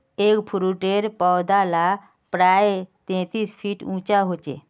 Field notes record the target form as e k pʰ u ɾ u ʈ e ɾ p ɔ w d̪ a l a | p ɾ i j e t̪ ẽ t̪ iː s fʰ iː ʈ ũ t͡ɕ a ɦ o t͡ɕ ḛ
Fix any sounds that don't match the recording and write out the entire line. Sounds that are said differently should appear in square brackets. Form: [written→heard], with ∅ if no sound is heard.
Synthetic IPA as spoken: e k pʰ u ɾ u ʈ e ɾ p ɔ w d̪ a l a | p ɾ [i→a] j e t̪ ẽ t̪ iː s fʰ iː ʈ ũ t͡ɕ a ɦ o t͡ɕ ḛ